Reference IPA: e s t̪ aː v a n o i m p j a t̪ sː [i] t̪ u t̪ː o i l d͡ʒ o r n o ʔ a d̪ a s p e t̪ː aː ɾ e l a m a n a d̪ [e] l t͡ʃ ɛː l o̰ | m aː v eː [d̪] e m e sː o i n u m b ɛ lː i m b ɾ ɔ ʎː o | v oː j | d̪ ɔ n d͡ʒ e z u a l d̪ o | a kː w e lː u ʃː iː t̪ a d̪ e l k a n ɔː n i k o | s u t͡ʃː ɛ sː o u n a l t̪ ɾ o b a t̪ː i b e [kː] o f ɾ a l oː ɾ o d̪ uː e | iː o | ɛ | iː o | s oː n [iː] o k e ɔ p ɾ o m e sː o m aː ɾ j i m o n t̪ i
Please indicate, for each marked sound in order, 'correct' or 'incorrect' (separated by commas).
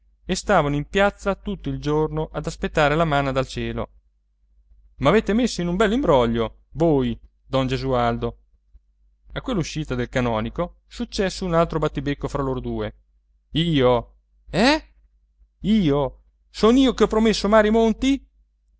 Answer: incorrect, incorrect, incorrect, correct, correct